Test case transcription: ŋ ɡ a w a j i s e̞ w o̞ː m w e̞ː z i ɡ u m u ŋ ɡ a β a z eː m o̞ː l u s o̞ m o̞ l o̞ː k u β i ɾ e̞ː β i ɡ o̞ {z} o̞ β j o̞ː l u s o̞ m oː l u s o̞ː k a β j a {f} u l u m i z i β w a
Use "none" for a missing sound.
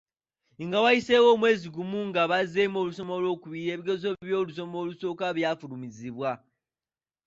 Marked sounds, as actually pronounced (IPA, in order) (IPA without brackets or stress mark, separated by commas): z, f